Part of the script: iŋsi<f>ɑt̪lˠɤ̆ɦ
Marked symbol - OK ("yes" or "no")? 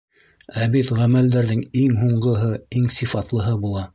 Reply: yes